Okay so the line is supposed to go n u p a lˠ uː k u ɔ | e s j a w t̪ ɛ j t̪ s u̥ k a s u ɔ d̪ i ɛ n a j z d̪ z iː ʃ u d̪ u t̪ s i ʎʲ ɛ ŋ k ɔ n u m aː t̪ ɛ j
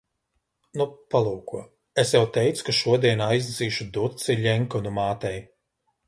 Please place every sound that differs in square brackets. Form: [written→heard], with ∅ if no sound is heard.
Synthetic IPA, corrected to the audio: n u p a lˠ uː k u ɔ | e s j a w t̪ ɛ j t̪ s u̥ k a [s→ʃ] u ɔ d̪ i ɛ n a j z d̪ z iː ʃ u d̪ u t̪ s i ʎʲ ɛ ŋ k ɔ n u m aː t̪ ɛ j